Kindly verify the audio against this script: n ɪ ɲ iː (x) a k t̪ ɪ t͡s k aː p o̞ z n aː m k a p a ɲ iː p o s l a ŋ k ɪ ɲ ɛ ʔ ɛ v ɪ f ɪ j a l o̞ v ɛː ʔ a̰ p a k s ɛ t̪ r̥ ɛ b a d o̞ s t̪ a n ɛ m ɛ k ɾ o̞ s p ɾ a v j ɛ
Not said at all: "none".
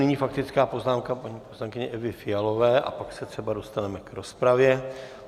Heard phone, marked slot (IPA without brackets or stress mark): f